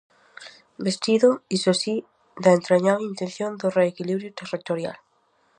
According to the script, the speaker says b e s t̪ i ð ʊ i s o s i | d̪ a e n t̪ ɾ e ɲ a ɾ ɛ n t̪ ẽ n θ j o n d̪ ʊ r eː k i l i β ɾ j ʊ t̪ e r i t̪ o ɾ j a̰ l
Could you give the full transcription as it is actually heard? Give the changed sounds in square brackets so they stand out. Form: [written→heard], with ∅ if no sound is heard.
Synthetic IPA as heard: b e s t̪ i ð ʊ i s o s i | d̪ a e n t̪ ɾ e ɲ a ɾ [ɛ→i] n t̪ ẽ n θ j o n d̪ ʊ r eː k i l i β ɾ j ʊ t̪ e r i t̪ o ɾ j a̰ l